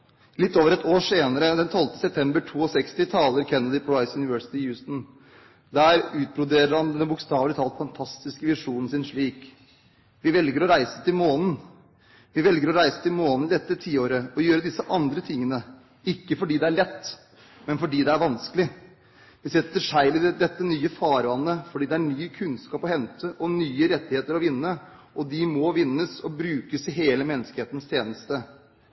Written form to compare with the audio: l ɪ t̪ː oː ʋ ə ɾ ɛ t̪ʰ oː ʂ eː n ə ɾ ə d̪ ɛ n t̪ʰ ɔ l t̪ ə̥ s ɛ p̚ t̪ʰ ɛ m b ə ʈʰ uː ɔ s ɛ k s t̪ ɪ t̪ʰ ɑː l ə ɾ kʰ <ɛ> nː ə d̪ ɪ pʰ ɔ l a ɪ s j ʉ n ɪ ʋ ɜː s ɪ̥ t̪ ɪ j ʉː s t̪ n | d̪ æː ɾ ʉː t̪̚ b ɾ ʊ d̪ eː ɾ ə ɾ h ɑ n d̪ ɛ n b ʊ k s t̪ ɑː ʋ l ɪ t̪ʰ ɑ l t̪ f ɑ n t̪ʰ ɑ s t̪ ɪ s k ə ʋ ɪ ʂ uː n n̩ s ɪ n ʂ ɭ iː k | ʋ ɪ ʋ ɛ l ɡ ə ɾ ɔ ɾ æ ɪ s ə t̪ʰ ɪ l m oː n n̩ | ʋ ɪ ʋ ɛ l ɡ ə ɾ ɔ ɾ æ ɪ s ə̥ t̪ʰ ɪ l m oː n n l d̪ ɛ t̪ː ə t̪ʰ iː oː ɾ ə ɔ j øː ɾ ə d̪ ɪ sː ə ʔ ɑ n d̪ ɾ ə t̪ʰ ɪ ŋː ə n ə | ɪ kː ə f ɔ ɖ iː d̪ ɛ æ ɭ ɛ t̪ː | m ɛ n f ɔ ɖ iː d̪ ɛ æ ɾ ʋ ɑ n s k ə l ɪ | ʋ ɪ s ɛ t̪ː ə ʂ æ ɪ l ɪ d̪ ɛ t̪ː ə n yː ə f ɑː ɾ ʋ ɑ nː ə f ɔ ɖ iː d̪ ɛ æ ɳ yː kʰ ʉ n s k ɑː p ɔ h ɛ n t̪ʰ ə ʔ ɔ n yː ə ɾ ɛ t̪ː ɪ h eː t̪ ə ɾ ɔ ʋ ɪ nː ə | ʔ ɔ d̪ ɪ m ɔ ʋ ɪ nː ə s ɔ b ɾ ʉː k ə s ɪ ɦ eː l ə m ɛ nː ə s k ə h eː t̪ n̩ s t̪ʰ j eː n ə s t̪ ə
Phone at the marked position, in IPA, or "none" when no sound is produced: ɛ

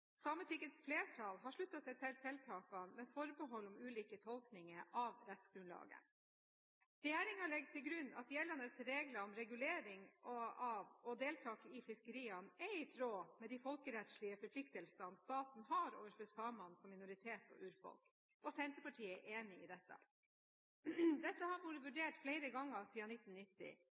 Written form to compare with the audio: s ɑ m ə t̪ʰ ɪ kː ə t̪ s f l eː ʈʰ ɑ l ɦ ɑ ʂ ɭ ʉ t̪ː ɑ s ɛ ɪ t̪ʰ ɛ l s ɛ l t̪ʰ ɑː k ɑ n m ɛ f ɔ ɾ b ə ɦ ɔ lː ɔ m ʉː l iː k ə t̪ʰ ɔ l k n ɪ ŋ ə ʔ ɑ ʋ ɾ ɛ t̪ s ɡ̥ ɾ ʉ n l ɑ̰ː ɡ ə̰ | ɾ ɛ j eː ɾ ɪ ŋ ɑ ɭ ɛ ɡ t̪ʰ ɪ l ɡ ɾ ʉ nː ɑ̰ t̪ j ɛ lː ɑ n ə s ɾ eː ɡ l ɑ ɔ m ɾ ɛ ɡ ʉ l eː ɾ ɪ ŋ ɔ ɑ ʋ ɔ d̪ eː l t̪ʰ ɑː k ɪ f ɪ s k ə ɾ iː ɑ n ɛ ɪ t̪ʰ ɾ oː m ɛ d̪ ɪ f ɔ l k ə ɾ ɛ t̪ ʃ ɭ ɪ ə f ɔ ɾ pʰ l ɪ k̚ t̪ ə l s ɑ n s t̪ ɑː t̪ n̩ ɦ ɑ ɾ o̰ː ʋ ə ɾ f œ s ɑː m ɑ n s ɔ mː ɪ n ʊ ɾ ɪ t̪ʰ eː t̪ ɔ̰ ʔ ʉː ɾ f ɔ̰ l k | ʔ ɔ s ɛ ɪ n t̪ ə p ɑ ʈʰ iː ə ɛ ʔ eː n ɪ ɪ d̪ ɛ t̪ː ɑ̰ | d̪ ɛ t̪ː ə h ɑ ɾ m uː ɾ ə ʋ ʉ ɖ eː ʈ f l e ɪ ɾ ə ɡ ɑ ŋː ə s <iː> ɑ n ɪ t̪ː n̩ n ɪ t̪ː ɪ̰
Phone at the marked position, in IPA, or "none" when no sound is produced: iː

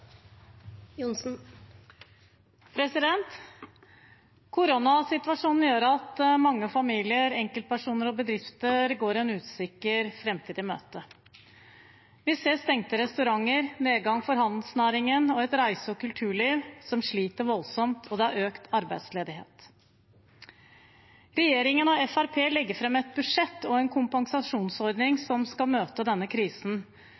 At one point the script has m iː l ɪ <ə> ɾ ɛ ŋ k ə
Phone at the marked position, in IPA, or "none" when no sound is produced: ə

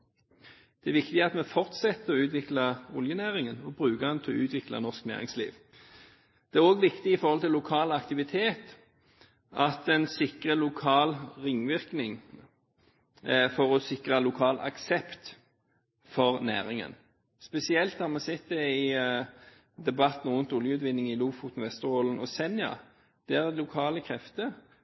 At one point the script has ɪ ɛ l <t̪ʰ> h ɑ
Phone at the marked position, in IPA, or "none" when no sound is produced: t̪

